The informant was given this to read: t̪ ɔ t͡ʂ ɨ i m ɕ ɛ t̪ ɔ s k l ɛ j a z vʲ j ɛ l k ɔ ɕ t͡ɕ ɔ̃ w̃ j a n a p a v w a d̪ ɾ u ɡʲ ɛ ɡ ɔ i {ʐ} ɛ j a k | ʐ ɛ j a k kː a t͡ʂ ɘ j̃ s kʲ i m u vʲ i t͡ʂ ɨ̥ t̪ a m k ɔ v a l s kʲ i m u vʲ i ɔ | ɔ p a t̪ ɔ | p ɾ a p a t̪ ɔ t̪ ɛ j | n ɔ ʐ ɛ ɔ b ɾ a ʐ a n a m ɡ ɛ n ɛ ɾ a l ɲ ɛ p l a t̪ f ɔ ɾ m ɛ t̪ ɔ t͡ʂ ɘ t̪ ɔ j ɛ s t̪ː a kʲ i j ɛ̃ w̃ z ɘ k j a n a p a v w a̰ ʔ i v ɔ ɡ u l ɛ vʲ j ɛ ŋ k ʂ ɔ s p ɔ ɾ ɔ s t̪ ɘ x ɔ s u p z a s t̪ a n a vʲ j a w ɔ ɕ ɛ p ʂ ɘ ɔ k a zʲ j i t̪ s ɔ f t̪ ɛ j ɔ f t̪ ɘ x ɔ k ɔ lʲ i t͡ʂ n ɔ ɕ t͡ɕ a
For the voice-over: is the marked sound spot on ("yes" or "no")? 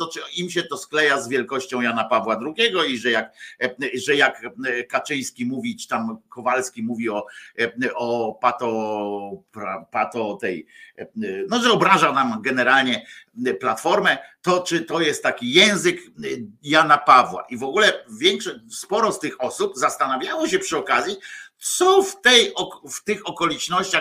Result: yes